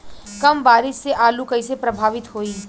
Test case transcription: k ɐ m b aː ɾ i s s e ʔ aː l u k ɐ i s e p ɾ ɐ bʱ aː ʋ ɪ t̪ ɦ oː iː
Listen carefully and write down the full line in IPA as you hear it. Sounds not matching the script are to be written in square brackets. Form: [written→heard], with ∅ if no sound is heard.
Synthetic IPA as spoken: k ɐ m b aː ɾ [i→ɪ] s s e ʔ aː l u k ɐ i s e p ɾ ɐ bʱ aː ʋ ɪ t̪ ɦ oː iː